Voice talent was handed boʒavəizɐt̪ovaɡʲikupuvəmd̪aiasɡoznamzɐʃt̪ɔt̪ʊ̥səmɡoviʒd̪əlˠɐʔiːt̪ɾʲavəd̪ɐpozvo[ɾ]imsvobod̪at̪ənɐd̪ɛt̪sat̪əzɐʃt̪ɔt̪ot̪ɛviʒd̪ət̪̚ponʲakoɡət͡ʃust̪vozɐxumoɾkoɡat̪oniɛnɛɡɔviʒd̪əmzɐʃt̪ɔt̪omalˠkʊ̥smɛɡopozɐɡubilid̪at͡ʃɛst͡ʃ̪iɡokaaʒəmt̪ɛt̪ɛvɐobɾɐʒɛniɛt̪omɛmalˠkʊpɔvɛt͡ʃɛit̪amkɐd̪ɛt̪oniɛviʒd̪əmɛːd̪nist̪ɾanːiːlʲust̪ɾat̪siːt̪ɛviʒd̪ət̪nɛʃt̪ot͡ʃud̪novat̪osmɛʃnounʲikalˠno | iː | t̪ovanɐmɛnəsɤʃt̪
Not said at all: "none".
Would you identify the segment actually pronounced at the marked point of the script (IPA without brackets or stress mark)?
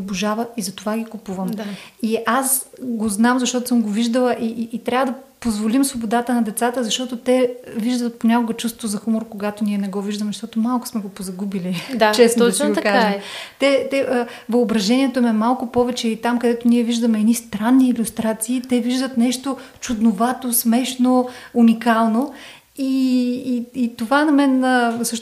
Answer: l